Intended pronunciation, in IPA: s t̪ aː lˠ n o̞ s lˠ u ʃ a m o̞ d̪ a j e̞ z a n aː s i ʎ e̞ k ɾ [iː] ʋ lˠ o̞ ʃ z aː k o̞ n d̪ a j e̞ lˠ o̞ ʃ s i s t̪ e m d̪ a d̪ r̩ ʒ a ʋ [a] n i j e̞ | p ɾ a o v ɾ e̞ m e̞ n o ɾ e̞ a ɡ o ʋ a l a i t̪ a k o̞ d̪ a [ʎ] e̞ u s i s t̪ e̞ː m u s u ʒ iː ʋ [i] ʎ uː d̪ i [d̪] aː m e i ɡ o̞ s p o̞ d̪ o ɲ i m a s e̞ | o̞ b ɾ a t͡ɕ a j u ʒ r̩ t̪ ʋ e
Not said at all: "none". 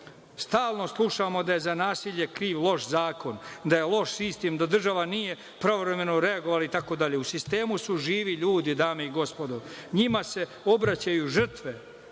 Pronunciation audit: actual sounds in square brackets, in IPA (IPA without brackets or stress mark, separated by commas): iː, a, ʎ, i, d̪